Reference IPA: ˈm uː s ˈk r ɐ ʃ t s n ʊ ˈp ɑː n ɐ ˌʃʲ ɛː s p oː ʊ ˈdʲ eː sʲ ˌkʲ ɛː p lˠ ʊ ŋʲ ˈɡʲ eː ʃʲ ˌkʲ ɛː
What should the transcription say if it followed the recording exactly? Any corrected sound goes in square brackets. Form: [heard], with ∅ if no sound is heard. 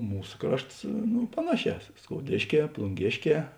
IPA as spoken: ˈm uː s ˈk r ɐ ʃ t s n ʊ ˈp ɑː n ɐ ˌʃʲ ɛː s [k] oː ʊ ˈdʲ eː [ʃʲ] ˌkʲ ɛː p lˠ ʊ ŋʲ ˈɡʲ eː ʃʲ ˌkʲ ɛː